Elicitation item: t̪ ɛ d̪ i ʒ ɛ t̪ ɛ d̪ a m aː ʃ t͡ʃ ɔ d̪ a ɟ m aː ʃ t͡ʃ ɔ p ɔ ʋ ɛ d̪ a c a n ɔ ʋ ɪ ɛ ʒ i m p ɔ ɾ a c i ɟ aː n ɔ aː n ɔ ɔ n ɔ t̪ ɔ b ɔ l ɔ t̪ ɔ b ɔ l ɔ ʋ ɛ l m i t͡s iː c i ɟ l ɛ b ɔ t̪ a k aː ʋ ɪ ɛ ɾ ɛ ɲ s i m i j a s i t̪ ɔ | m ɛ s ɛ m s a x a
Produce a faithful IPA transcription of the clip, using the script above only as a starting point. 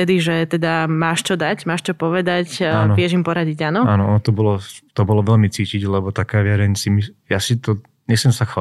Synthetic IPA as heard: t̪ ɛ d̪ i ʒ ɛ t̪ ɛ d̪ a m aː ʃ t͡ʃ ɔ d̪ a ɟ m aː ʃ t͡ʃ ɔ p ɔ ʋ ɛ d̪ a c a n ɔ ʋ ɪ ɛ ʒ i m p ɔ ɾ a ɟ i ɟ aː n ɔ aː n ɔ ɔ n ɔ t̪ ɔ b ɔ l ɔ t̪ ɔ b ɔ l ɔ ʋ ɛ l m i t͡s iː c i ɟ l ɛ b ɔ t̪ a k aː ʋ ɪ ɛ ɾ ɛ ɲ s i m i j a s i t̪ ɔ | ɲ ɛ s ɛ m s a x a